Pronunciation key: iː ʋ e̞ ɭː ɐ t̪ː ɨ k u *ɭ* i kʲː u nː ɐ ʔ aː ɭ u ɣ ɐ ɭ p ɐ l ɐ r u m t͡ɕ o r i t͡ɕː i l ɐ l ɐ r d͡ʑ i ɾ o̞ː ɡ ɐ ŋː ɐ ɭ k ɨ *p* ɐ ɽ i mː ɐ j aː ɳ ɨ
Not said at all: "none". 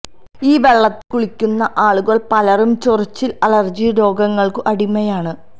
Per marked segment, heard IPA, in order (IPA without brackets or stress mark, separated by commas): ɭ, ʔ